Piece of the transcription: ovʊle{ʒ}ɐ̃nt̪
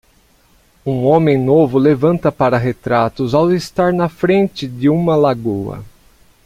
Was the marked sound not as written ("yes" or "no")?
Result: yes